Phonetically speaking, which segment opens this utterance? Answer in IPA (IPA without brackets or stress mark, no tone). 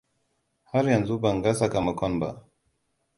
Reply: h